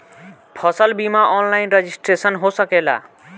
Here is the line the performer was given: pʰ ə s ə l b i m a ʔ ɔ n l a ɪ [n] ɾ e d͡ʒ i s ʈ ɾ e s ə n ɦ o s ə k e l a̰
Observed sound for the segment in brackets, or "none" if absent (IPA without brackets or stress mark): n